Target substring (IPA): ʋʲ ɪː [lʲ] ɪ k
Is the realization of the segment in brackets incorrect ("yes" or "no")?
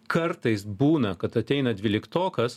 no